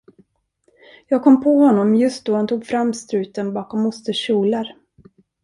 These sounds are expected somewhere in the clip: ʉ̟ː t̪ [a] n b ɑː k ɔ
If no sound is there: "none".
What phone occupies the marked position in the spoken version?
ə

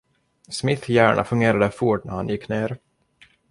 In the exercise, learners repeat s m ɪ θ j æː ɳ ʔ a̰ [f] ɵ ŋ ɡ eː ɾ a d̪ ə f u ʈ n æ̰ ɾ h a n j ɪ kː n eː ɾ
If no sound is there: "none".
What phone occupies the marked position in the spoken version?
f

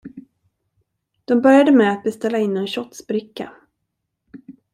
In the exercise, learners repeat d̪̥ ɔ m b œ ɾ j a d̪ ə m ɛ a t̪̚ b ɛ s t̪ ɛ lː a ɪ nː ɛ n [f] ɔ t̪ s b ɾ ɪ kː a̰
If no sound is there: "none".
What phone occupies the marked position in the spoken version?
ɕ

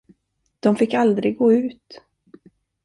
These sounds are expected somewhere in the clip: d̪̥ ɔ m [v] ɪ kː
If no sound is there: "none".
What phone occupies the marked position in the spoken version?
f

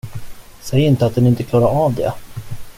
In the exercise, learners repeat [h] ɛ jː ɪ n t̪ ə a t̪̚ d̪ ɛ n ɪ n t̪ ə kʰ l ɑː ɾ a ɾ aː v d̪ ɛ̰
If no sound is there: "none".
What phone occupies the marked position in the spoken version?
s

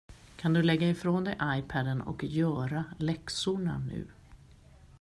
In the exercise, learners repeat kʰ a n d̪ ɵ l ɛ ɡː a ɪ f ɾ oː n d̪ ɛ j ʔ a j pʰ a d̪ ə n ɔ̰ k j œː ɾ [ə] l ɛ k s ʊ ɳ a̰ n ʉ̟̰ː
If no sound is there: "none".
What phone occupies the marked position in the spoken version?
a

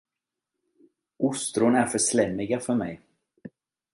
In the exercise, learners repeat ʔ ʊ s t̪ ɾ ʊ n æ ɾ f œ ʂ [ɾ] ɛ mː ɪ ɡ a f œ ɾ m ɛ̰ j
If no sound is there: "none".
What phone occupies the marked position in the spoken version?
l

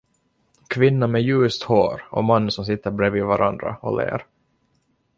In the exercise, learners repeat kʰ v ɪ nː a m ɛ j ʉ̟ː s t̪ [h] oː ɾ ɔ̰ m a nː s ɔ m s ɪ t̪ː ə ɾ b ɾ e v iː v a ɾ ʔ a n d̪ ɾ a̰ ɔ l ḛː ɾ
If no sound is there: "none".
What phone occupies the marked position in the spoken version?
h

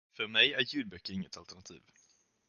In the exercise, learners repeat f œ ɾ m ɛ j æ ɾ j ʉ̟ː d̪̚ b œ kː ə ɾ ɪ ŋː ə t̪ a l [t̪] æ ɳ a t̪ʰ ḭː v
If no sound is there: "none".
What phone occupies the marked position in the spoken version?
t̪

